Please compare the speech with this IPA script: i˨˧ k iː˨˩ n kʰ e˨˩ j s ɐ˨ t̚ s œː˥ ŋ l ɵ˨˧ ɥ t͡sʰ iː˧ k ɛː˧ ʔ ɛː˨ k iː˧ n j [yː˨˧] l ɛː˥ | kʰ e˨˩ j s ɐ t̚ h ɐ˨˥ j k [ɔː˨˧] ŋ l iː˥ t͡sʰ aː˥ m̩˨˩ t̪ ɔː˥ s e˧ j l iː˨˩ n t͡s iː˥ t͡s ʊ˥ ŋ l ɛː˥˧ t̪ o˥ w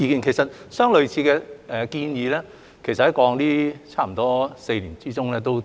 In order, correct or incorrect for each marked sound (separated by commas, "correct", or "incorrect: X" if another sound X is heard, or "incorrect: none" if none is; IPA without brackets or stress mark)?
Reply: incorrect: iː˨˧, correct